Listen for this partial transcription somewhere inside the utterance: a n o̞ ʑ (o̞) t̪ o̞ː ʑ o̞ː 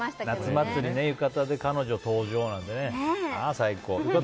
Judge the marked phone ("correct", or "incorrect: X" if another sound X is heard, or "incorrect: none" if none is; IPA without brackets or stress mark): correct